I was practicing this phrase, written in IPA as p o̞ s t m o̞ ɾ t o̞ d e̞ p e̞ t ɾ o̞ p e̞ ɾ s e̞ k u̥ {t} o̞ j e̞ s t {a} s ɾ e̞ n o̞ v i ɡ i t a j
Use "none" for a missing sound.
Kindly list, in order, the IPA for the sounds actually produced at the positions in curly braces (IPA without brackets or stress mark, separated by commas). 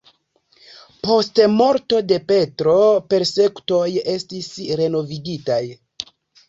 t, i